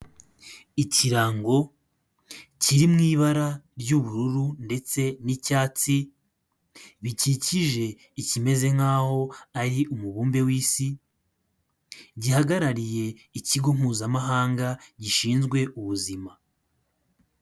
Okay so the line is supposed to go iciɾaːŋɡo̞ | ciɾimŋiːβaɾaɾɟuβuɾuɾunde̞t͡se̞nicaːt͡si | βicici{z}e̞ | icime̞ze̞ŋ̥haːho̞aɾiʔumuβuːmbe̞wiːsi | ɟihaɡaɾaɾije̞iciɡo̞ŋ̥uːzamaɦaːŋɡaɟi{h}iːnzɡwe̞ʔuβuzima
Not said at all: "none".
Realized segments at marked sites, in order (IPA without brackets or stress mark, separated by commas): ʒ, ʃ